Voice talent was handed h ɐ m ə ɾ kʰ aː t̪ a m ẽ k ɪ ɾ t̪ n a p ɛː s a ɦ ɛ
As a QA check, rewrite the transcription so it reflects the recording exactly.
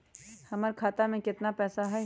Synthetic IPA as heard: h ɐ m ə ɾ kʰ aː t̪ a m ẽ k ɪ t̪ n a p ɛː s a ɦ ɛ